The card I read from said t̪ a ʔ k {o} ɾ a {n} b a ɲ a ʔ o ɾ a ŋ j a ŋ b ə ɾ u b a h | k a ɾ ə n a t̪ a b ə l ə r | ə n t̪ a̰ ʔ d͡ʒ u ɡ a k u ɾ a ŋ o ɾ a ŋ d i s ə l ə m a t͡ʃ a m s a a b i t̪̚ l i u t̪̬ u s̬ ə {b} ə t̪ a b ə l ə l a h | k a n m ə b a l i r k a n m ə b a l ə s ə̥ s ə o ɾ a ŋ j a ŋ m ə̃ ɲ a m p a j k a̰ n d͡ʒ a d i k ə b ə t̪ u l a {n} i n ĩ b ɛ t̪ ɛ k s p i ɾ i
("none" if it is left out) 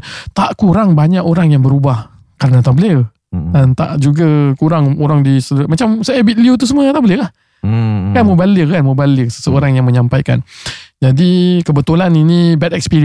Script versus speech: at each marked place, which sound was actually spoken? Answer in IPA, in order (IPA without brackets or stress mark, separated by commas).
u, ŋ, m, n